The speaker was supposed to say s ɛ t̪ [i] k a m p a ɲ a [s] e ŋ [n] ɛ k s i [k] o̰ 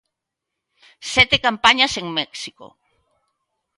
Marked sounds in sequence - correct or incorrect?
incorrect: e, correct, incorrect: m, correct

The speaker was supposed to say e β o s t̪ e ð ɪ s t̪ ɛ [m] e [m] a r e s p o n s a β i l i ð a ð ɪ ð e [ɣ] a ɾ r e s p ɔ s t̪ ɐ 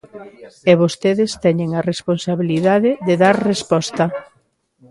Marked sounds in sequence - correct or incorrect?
incorrect: ɲ, incorrect: ŋ, incorrect: ð

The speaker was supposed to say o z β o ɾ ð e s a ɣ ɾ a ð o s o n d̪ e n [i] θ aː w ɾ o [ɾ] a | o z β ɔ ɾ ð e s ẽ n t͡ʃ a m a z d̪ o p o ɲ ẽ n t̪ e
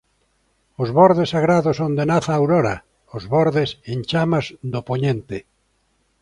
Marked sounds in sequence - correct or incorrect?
incorrect: a, correct

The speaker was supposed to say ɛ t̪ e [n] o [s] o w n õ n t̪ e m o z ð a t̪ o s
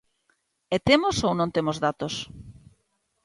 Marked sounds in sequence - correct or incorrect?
incorrect: m, correct

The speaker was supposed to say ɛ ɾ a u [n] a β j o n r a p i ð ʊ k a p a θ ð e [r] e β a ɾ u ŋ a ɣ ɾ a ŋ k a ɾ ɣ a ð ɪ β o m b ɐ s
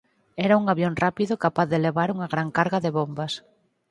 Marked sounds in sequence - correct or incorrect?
incorrect: ŋ, incorrect: l

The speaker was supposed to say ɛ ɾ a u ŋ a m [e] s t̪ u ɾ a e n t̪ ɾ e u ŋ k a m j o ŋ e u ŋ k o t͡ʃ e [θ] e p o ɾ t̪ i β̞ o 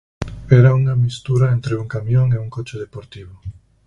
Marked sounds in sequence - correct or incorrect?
incorrect: i, incorrect: ð

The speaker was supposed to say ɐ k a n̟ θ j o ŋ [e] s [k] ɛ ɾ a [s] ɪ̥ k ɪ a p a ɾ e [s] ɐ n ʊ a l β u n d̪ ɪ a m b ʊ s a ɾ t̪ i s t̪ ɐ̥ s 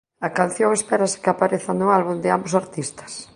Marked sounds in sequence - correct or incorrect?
correct, incorrect: p, correct, incorrect: θ

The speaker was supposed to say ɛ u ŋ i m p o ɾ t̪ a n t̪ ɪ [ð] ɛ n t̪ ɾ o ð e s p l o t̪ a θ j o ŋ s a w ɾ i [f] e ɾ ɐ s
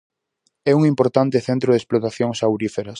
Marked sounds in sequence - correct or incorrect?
incorrect: θ, correct

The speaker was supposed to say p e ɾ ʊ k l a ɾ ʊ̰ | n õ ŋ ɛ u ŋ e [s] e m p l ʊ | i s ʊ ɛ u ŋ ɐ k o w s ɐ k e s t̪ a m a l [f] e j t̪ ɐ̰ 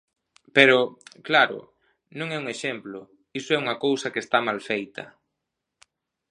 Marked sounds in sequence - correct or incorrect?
incorrect: ʃ, correct

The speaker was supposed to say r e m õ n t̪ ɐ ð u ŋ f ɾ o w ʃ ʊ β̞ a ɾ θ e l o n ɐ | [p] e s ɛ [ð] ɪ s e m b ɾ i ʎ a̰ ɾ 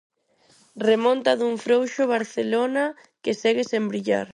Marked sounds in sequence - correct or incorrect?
incorrect: k, incorrect: ɣ

